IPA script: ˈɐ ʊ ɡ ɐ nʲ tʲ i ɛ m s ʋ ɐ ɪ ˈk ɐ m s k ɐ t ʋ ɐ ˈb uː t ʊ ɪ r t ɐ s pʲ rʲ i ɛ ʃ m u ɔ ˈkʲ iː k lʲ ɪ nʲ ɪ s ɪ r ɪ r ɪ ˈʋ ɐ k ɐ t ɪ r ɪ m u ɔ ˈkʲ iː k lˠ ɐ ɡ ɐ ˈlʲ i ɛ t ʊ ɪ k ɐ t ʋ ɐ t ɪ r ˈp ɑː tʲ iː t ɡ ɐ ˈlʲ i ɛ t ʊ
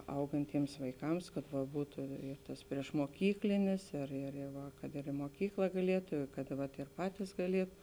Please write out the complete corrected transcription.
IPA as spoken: ˈɐ ʊ ɡ ɐ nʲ tʲ i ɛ m s ʋ ɐ ɪ ˈk ɐ m s k ɐ t ʋ ɐ ˈb uː t ʊ ɪ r t ɐ s pʲ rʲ i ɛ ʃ m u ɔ ˈkʲ iː k lʲ ɪ nʲ ɪ s ɪ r ɪ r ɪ ˈʋ ɐ k ɐ t ɪ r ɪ m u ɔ ˈkʲ iː k lˠ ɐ ɡ ɐ ˈlʲ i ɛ t ʊ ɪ k ɐ t ʋ ɐ t ɪ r ˈp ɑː tʲ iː s ɡ ɐ ˈlʲ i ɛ t ʊ